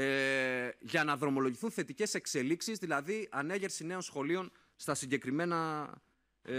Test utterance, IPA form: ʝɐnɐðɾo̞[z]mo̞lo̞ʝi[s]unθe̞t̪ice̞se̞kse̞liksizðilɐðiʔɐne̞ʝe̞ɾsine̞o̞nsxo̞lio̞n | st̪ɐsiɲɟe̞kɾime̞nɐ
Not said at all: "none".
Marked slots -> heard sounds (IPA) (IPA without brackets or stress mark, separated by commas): none, θ